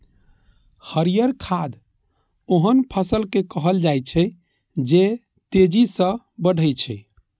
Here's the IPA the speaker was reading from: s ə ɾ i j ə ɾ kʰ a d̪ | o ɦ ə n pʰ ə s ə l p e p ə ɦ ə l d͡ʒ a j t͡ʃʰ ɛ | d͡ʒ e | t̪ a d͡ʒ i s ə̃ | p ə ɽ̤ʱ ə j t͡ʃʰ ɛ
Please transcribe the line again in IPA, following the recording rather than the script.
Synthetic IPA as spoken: h ə ɾ i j ə ɾ kʰ a d̪ | o ɦ ə n pʰ ə s ə l k e k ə ɦ ə l d͡ʒ a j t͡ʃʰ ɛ | d͡ʒ e | t̪ e d͡ʒ i s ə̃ | b ə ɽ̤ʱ ə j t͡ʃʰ ɛ